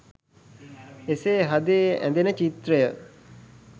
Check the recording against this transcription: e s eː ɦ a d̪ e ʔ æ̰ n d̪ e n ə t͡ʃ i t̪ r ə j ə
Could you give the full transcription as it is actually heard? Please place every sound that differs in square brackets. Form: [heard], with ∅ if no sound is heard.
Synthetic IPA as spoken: e s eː ɦ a d̪ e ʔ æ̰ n d̪ e n ə t͡ʃ i t̪ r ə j ə